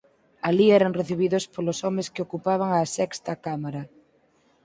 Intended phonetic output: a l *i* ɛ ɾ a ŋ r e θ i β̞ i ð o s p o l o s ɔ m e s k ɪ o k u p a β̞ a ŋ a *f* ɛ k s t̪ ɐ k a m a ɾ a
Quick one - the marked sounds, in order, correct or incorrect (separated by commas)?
correct, incorrect